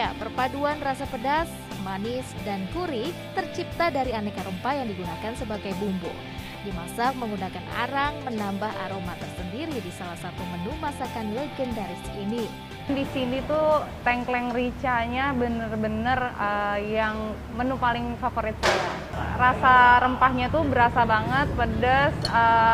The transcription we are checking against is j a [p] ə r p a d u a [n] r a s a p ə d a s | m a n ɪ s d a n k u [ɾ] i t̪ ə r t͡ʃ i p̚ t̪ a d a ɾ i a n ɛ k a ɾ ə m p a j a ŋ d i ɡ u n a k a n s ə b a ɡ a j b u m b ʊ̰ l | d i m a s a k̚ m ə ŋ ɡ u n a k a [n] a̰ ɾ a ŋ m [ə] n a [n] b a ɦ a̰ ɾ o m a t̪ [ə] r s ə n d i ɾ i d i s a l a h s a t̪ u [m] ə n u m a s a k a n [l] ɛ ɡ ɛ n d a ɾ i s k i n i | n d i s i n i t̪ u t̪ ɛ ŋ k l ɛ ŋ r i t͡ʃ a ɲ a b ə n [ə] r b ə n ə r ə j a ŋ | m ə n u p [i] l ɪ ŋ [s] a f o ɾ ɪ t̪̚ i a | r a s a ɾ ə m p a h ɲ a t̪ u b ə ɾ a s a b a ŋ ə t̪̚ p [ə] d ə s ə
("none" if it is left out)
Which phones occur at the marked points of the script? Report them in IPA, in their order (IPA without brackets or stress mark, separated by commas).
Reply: p, n, ɾ, n, ə, m, ə, m, l, ə, a, f, ə